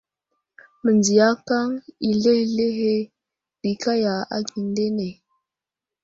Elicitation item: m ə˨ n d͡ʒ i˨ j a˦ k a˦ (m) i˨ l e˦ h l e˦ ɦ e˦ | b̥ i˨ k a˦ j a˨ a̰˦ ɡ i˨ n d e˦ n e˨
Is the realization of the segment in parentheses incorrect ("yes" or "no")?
yes